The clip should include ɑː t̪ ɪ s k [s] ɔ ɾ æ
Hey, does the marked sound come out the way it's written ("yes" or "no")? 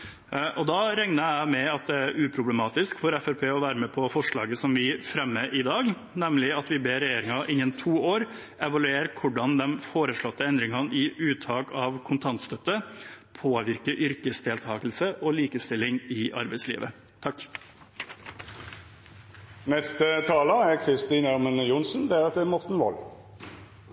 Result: no